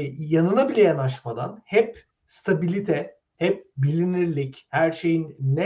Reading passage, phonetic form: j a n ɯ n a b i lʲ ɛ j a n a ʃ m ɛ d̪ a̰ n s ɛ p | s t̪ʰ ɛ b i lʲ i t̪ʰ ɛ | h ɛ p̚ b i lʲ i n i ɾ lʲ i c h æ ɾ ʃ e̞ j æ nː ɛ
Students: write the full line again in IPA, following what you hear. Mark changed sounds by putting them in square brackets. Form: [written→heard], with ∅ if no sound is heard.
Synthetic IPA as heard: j a n ɯ n a b i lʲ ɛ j a n a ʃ m [ɛ→a] d̪ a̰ n [s→h] ɛ p | s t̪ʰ [ɛ→a] b i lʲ i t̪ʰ ɛ | h ɛ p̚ b i lʲ i n i ɾ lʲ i c h æ ɾ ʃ e̞ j [æ→i] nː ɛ